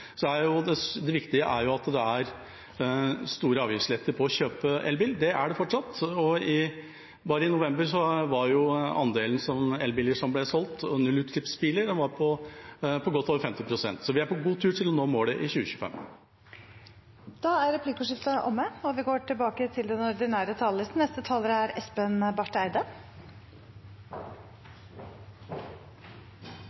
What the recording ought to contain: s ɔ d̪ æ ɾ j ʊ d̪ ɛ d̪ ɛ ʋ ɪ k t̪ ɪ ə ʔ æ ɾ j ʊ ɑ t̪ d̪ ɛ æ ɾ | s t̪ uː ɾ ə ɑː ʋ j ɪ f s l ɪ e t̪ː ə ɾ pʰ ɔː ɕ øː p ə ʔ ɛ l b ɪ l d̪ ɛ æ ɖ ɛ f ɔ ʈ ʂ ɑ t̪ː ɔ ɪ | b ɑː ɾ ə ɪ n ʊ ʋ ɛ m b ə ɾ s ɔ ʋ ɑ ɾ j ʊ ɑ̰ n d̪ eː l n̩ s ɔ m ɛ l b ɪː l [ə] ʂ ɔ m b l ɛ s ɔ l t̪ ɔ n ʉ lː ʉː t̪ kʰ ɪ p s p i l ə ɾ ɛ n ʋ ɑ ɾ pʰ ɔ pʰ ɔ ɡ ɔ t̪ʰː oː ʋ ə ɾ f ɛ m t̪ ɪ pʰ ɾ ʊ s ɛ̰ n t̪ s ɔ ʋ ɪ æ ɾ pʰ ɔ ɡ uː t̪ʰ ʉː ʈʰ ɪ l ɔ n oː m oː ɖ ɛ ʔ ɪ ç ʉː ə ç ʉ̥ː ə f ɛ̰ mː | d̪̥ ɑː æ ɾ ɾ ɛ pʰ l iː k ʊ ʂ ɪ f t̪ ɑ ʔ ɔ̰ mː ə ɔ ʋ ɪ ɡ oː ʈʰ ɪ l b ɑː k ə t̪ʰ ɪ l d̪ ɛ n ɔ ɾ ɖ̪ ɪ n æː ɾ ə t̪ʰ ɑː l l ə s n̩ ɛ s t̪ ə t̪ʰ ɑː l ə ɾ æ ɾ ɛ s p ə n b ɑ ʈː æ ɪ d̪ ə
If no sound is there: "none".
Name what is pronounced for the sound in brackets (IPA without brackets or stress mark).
ə